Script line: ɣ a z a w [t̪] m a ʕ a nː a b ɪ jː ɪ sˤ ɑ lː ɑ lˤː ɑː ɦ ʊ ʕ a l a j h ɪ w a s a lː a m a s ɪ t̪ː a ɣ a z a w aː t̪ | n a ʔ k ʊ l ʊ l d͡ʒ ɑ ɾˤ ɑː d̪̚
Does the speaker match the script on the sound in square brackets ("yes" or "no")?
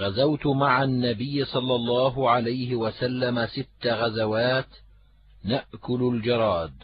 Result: yes